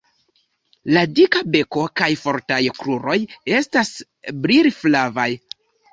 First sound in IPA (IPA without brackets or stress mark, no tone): l